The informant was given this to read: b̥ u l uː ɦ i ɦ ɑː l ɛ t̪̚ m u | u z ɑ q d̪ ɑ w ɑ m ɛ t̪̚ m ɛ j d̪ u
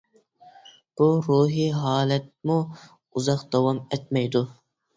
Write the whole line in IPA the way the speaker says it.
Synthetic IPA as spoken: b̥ u ɾ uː ɦ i ɦ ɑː l ɛ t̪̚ m u | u z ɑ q d̪ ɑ w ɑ m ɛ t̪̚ m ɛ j d̪ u